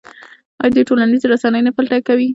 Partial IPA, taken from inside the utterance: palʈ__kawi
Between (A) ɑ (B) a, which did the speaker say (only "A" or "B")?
B